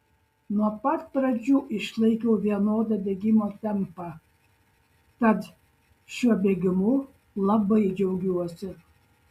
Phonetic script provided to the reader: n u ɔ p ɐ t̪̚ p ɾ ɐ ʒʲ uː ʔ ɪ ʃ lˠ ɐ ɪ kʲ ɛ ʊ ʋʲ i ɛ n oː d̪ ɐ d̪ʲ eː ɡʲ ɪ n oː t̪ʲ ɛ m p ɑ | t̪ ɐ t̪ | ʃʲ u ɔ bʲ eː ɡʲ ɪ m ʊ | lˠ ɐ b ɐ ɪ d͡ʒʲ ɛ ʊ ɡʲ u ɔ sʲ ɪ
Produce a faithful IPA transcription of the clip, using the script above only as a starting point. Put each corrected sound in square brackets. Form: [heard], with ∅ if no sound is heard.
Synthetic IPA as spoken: n u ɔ p ɐ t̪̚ p ɾ ɐ [d͡ʒʲ] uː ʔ ɪ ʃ lˠ ɐ ɪ kʲ ɛ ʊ ʋʲ i ɛ n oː d̪ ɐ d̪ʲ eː ɡʲ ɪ [m] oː t̪ʲ ɛ m p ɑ | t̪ ɐ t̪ | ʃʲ u ɔ bʲ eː ɡʲ ɪ m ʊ | lˠ ɐ b ɐ ɪ d͡ʒʲ ɛ ʊ ɡʲ u ɔ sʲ ɪ